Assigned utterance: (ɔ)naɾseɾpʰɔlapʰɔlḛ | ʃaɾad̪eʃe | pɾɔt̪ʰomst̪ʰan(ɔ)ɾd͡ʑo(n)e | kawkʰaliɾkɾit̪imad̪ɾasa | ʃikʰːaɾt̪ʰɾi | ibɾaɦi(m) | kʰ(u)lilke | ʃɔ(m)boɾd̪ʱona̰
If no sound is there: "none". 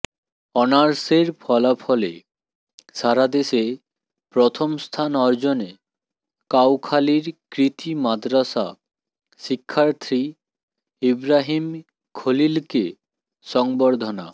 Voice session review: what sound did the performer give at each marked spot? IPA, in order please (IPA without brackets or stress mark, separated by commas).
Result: ɔ, ɔ, n, m, o, ŋ